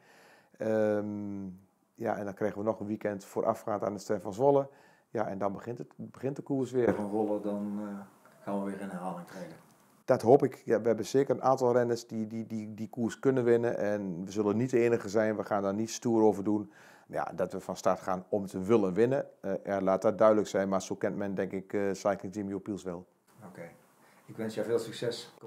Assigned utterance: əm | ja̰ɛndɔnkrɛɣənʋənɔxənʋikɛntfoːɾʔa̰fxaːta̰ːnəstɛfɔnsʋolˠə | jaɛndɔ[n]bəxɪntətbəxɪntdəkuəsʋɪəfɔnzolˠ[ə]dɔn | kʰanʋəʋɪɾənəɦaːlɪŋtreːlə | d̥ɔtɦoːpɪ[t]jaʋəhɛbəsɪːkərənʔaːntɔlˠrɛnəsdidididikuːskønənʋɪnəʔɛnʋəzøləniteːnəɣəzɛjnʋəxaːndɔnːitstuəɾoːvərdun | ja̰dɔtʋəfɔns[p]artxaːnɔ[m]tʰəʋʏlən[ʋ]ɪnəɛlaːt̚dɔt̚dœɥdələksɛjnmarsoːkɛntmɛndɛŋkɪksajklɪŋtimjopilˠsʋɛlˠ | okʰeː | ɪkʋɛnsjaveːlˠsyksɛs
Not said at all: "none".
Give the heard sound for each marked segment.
n, ə, k, t, m, ʋ

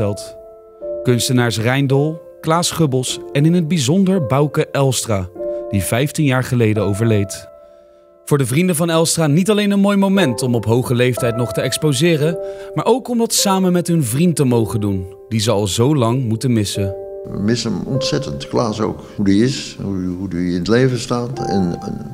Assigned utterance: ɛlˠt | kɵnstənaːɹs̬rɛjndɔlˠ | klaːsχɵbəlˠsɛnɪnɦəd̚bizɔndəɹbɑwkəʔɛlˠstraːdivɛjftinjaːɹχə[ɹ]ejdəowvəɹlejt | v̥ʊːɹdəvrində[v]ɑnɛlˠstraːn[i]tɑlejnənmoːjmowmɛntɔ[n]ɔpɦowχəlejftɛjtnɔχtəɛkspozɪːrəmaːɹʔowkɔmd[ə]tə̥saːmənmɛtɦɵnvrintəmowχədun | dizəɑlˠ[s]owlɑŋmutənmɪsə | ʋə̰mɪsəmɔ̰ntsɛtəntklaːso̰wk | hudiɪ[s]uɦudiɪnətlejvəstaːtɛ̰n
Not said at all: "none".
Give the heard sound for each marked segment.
l, v, i, m, ɑ, z, s

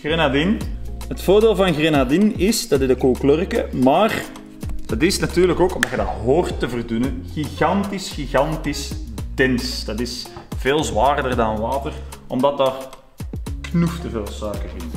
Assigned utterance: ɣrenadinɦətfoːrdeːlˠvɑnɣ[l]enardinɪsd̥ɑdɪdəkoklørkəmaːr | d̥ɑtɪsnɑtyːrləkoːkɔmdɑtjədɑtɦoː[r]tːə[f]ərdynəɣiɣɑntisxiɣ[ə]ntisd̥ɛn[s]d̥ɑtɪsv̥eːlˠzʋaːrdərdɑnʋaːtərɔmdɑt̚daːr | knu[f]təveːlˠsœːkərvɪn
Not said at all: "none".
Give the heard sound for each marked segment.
r, r, v, ɑ, s, f

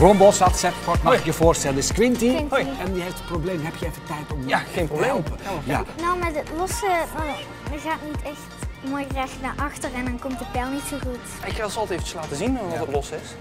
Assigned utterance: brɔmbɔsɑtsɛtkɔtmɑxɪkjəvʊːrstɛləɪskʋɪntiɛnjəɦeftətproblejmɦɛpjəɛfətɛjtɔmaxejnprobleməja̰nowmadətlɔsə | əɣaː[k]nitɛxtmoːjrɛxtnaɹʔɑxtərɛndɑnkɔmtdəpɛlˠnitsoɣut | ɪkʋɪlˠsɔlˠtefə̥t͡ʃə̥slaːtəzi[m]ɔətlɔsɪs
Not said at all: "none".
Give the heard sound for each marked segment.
t, n

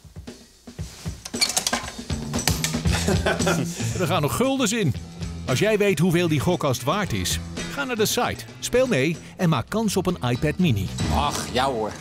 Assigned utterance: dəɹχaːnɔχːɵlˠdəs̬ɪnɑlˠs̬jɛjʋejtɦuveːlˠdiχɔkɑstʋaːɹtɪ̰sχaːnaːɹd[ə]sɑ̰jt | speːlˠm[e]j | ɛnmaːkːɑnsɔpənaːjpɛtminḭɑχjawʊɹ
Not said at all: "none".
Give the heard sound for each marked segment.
ə, e

